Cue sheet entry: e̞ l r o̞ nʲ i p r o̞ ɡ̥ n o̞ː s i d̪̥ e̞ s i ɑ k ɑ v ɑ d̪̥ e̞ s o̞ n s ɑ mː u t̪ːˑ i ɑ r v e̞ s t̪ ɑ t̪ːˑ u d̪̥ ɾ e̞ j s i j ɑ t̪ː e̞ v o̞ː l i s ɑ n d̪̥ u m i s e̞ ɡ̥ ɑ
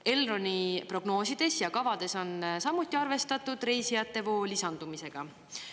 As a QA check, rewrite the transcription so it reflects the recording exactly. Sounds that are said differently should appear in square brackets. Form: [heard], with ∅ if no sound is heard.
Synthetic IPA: e̞ l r o̞ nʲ i p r o̞ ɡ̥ n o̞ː s i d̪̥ e̞ s [j] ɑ k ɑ v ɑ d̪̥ e̞ s o̞ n s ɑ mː u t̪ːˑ i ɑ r v e̞ s t̪ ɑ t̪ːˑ u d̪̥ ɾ e̞ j s i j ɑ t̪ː e̞ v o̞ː l i s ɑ n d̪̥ u m i s e̞ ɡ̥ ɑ